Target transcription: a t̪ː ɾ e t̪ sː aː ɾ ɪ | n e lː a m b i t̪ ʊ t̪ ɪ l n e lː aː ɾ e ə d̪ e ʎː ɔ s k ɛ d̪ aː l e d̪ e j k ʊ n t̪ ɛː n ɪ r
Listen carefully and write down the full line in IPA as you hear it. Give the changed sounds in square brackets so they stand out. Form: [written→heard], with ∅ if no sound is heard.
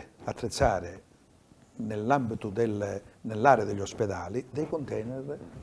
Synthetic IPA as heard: a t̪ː ɾ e t̪ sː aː ɾ ɪ | n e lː a m b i t̪ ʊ [t̪→d̪] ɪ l n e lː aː ɾ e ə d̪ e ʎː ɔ s [k→p] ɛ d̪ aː l [e→i] d̪ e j k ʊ n t̪ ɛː n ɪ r